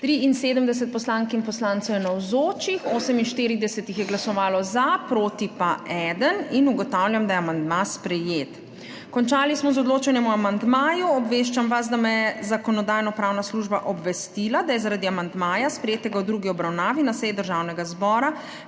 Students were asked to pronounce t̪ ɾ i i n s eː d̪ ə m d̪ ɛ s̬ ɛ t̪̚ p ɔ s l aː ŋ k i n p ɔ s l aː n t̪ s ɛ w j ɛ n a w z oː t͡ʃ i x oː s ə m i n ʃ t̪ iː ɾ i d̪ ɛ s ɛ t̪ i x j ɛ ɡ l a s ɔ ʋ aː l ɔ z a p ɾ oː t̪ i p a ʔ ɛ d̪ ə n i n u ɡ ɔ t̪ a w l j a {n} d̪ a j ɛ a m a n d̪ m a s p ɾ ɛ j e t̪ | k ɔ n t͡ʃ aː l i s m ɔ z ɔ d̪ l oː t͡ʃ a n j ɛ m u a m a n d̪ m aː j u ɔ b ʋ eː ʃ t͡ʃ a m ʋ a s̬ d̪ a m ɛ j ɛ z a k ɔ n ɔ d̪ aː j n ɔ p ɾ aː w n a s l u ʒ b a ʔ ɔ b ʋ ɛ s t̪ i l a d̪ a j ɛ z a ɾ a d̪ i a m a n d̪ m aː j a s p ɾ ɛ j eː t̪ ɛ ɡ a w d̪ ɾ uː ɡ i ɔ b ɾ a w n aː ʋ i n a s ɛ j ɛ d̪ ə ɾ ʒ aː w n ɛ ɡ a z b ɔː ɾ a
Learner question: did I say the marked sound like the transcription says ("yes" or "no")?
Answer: no